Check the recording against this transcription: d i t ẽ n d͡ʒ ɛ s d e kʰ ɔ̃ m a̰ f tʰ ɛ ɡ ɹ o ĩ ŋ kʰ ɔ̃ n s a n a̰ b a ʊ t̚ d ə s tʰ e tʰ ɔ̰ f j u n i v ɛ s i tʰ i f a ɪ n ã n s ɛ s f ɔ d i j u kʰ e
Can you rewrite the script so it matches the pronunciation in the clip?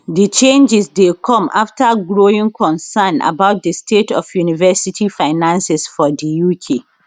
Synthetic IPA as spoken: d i t͡ʃ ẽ n d͡ʒ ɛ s d e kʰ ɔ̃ m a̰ f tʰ a ɡ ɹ o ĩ ŋ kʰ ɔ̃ n s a n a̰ b a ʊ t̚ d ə s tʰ e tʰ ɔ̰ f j u n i v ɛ s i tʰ i f a ɪ n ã n s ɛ s f ɔ d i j u kʰ e